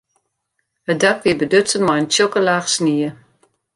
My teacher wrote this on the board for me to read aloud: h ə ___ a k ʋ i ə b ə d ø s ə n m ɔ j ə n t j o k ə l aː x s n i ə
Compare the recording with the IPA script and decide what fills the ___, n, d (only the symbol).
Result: d